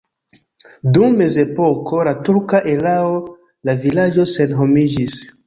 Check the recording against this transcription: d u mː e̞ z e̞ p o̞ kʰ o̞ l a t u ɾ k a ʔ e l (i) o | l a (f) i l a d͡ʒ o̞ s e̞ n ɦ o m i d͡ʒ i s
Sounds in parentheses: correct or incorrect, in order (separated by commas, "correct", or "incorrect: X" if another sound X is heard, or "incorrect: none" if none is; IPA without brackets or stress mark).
incorrect: a, incorrect: v